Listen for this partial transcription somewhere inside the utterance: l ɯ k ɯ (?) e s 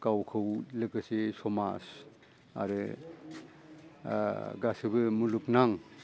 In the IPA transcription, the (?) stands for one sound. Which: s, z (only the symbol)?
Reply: s